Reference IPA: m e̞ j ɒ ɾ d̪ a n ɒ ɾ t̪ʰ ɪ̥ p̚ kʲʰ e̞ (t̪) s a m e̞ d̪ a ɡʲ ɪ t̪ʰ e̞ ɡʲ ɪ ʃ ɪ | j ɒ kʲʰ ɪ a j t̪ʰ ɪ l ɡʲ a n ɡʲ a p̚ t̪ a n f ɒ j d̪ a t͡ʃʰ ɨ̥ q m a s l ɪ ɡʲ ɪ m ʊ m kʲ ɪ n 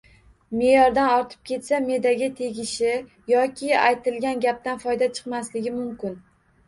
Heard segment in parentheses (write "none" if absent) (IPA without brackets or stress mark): t̪